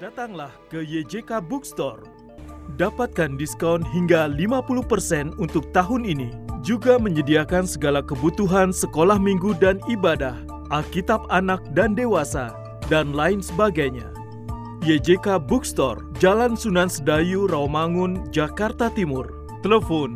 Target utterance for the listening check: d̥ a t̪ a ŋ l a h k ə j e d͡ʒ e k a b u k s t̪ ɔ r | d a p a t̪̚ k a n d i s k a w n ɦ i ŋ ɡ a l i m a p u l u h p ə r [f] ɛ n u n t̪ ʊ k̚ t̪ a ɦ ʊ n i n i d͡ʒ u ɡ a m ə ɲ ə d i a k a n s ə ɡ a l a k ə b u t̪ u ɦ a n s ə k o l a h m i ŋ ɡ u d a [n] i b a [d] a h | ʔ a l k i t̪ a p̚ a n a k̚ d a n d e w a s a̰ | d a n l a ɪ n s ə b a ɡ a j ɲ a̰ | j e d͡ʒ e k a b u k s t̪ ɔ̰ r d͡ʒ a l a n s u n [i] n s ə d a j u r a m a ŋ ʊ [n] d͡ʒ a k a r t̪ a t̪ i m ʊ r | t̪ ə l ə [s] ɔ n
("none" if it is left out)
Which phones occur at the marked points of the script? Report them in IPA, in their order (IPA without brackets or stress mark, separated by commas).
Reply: s, n, d, a, n, f